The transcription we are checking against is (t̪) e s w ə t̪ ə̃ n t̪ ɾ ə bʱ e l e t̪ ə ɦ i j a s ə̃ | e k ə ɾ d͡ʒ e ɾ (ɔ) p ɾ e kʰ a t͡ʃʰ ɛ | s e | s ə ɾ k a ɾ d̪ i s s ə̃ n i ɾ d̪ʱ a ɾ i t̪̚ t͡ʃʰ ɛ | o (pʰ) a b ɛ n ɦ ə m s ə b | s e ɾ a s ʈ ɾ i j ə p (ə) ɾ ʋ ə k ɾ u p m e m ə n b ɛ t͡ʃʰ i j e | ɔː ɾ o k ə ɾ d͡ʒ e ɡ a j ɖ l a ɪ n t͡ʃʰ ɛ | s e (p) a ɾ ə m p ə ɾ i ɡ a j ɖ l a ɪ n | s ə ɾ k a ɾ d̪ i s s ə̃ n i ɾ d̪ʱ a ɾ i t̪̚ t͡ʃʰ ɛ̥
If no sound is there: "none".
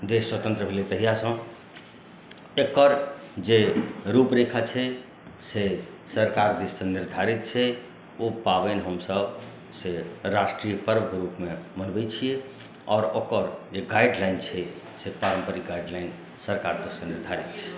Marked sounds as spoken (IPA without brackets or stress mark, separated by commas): d̪, u, p, ə, p